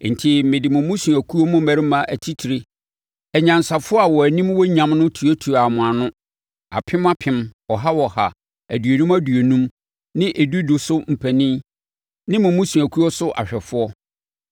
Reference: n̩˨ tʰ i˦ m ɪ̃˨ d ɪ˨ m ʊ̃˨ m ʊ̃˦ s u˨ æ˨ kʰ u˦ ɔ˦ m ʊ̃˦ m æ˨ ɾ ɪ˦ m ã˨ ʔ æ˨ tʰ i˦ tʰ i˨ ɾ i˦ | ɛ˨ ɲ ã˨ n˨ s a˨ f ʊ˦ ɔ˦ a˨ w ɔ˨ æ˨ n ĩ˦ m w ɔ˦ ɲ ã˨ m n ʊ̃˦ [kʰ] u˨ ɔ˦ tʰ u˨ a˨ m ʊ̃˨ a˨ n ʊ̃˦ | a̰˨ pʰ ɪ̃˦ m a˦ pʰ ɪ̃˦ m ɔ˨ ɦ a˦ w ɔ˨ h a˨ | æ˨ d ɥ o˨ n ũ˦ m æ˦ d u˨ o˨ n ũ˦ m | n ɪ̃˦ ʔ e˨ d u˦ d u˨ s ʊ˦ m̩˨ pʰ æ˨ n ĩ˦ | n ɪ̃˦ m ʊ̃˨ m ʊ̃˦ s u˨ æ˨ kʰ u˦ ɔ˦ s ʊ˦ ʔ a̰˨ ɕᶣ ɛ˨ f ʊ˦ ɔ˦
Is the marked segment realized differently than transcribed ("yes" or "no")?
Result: yes